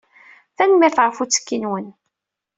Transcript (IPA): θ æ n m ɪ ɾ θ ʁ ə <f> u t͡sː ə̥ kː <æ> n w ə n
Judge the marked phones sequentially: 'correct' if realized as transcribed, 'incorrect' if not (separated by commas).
correct, incorrect